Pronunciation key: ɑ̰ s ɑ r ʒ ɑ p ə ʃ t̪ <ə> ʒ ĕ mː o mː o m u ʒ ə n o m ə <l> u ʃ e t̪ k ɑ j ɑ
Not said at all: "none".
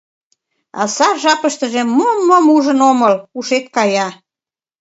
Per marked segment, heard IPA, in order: ə, l

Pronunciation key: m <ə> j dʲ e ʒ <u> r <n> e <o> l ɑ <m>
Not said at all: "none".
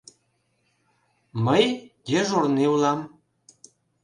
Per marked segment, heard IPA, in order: ə, o, n, u, m

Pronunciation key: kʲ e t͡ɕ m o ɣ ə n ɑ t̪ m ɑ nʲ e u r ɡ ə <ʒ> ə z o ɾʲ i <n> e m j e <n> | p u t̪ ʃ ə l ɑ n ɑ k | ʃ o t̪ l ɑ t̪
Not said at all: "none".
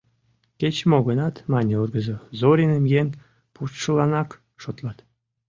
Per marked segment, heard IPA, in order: z, n, n

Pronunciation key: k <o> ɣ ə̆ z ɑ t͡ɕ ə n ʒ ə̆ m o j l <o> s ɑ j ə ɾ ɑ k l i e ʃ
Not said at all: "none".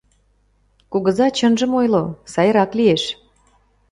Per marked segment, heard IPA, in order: u, o

